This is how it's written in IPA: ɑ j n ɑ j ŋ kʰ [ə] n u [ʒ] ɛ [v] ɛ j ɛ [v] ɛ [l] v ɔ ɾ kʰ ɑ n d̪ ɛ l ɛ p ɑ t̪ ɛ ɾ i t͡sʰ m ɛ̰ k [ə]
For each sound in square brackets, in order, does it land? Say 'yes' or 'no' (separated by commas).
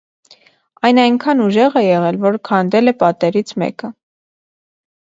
no, yes, no, no, yes, yes